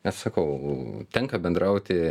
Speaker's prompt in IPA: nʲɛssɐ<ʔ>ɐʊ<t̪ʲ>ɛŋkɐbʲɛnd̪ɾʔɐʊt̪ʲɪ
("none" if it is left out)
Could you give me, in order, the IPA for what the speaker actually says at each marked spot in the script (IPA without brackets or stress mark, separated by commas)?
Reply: k, t̪ʲ